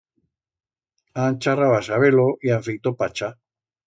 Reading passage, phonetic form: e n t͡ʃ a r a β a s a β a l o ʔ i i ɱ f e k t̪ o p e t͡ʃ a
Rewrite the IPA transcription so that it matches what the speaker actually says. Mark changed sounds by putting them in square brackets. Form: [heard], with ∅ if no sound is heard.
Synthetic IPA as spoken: [a] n t͡ʃ a r a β a s a β [e] l o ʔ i [a] ɱ f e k t̪ o p [a] t͡ʃ a